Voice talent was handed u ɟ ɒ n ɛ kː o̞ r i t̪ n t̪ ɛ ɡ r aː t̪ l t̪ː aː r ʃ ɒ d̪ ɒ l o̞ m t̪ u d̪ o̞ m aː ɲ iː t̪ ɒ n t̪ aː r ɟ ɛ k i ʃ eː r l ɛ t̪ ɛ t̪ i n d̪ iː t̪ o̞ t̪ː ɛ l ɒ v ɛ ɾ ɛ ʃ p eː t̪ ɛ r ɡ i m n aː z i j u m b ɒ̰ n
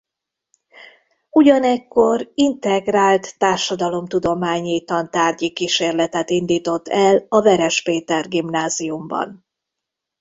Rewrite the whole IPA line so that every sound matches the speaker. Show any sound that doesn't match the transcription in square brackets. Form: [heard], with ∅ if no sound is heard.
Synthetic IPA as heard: u ɟ ɒ n ɛ kː o̞ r i [∅] n t̪ ɛ ɡ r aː [∅] l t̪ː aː r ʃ ɒ d̪ ɒ l o̞ m t̪ u d̪ o̞ m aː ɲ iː t̪ ɒ n t̪ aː r ɟ [i] k i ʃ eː r l ɛ t̪ ɛ t̪ i n d̪ iː t̪ o̞ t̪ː ɛ l ɒ v ɛ ɾ ɛ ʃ p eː t̪ ɛ r ɡ i m n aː z i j u m b ɒ̰ n